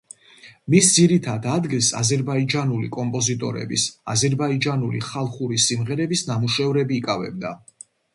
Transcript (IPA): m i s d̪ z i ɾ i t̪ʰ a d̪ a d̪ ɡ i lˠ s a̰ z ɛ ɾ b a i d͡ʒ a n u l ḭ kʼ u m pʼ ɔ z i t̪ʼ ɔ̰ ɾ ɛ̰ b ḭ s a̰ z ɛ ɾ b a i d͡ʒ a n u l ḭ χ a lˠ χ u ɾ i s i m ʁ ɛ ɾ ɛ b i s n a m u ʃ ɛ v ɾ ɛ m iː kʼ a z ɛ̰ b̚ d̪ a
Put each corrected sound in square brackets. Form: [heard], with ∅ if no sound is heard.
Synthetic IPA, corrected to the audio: m i s d̪ z i ɾ i t̪ʰ a d̪ a d̪ ɡ i lˠ s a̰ z ɛ ɾ b a i d͡ʒ a n u l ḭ kʼ [ɔ] m pʼ ɔ z i t̪ʼ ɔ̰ ɾ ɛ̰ b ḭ s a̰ z ɛ ɾ b a i d͡ʒ a n u l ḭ χ a lˠ χ u ɾ i s i m ʁ ɛ ɾ ɛ b i s n a m u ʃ ɛ v ɾ ɛ [b] iː kʼ a [v] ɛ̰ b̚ d̪ a